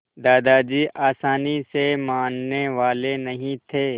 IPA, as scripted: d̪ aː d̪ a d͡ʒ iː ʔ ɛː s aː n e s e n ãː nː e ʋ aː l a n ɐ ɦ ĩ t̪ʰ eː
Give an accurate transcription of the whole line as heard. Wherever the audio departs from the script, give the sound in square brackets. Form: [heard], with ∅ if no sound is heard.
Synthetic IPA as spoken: d̪ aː d̪ a d͡ʒ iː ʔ [aː] s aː n [i] s e [m] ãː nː e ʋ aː l [e] n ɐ ɦ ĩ t̪ʰ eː